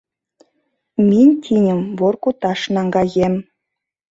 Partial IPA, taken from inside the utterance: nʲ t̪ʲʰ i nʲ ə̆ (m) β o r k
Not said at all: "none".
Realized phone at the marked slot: m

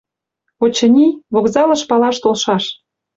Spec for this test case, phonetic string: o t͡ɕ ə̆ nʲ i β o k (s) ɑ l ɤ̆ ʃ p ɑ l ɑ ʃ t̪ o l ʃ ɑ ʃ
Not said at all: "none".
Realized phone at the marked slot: z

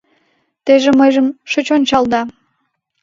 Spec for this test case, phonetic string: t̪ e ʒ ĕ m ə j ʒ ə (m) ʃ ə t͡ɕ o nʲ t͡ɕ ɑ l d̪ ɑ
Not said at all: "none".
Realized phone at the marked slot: m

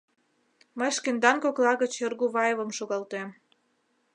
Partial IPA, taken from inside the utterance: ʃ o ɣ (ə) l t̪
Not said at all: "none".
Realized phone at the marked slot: ɑ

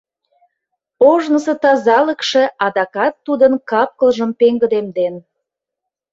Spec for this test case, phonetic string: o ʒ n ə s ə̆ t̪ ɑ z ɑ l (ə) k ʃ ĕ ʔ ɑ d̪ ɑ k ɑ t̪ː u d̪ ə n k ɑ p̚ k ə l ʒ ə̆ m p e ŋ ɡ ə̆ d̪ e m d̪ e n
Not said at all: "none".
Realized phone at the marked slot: ə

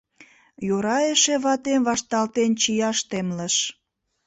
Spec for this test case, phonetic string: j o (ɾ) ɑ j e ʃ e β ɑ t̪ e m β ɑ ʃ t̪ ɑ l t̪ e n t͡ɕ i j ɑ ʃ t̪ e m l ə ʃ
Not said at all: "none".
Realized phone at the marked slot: ɾ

